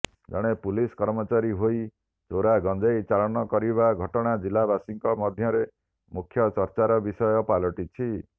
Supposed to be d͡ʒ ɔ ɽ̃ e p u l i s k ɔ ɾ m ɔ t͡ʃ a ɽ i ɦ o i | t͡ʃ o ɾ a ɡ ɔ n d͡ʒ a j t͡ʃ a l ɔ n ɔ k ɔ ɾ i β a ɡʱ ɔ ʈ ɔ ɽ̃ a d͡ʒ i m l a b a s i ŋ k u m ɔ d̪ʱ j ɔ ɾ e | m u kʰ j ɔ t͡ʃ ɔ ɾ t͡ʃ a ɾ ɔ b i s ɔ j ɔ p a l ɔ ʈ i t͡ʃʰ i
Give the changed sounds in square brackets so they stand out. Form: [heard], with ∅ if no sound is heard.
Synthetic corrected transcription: d͡ʒ ɔ ɽ̃ e p u l i s k ɔ ɾ m ɔ t͡ʃ a [ɾ] i ɦ o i | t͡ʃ o ɾ a ɡ ɔ n d͡ʒ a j t͡ʃ a l ɔ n ɔ k ɔ ɾ i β a ɡʱ ɔ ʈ ɔ ɽ̃ a d͡ʒ i [∅] l a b a s i ŋ k [ɔ] m ɔ d̪ʱ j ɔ ɾ e | m u kʰ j ɔ t͡ʃ ɔ ɾ t͡ʃ a ɾ ɔ b i s ɔ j ɔ p a l ɔ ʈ i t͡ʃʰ i

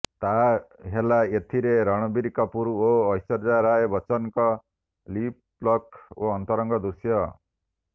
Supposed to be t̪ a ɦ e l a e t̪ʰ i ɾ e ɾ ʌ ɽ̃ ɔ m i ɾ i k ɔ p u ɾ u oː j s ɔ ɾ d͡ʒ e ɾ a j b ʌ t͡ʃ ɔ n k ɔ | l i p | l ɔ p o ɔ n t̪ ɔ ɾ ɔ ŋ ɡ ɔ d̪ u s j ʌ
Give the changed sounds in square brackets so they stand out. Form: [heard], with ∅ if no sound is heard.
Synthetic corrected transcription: t̪ a ɦ e l a e t̪ʰ i ɾ e ɾ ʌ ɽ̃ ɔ [b] i ɾ i k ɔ p u ɾ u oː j s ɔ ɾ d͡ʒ [a] ɾ a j b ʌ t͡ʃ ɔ n k ɔ | l i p | l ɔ [k] o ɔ n t̪ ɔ ɾ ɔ ŋ ɡ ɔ d̪ u s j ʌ

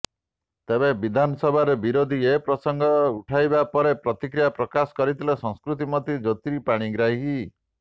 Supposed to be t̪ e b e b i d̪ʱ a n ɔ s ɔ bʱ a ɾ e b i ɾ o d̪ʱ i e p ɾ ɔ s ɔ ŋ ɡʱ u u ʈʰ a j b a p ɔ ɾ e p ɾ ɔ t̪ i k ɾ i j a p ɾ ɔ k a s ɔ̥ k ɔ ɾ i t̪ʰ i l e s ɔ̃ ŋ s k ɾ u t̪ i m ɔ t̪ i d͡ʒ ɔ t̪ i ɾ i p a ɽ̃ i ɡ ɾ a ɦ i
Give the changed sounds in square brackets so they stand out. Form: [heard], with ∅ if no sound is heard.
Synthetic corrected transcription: t̪ e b e b i d̪ʱ a n ɔ s ɔ bʱ a ɾ e b i ɾ o d̪ʱ i e p ɾ ɔ s ɔ ŋ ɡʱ [ɔ] u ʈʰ a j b a p ɔ ɾ e p ɾ ɔ t̪ i k ɾ i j a p ɾ ɔ k a s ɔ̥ k ɔ ɾ i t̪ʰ i l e s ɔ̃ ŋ s k ɾ u t̪ i m ɔ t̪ i d͡ʒ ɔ t̪ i ɾ i p a ɽ̃ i ɡ ɾ a ɦ i

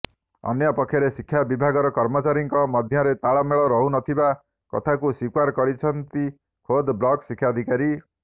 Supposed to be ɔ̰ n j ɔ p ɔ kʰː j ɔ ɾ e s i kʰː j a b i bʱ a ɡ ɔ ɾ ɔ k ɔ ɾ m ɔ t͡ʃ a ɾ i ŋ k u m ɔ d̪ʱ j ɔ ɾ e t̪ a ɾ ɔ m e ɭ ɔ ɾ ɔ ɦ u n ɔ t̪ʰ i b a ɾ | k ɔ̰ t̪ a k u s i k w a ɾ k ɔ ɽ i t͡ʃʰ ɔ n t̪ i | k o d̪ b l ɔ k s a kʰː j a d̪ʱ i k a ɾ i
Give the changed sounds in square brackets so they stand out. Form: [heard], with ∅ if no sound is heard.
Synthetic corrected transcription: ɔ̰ n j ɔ p ɔ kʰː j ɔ ɾ e s i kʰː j a b i bʱ a ɡ ɔ ɾ ɔ k ɔ ɾ m ɔ t͡ʃ a ɾ i ŋ k [ɔ] m ɔ d̪ʱ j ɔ ɾ e t̪ a [ɭ] ɔ m e ɭ ɔ ɾ ɔ ɦ u n ɔ t̪ʰ i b a [∅] | k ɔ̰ [t̪ʰ] a k u s i k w a ɾ k ɔ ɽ i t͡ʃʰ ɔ n t̪ i | [kʰ] o d̪ b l ɔ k s [i] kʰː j a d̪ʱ i k a ɾ i

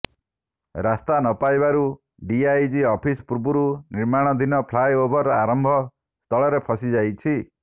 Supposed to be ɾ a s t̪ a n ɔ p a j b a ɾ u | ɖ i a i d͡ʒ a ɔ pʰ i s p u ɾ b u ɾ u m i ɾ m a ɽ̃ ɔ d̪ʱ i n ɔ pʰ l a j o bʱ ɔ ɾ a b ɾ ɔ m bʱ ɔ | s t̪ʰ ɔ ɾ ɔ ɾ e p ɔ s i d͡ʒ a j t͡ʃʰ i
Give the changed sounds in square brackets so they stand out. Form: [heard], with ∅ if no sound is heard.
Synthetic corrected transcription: ɾ a s t̪ a n ɔ p a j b a ɾ u | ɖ i a [j] d͡ʒ [i] ɔ pʰ i s p u ɾ b u ɾ u [n] i ɾ m a ɽ̃ ɔ d̪ʱ i n ɔ pʰ l a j o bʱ ɔ ɾ a [∅] ɾ ɔ m bʱ ɔ | s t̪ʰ ɔ [ɭ] ɔ ɾ e [pʰ] ɔ s i d͡ʒ a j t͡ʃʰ i

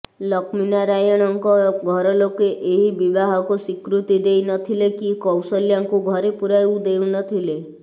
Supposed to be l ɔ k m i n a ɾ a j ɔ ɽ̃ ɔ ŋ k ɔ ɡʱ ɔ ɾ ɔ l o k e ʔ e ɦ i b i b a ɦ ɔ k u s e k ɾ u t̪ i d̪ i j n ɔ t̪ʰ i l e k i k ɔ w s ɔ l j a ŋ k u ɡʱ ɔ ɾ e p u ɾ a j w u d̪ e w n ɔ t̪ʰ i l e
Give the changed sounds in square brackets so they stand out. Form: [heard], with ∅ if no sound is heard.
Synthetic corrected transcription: l ɔ k m i n a ɾ a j ɔ ɽ̃ ɔ ŋ k ɔ ɡʱ ɔ ɾ ɔ l o k e ʔ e ɦ i b i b a ɦ ɔ k u s [i] k ɾ u t̪ i d̪ [e] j n ɔ t̪ʰ i l e k i k ɔ w s ɔ l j a ŋ k u ɡʱ ɔ ɾ e p u ɾ a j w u d̪ e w n ɔ t̪ʰ i l e

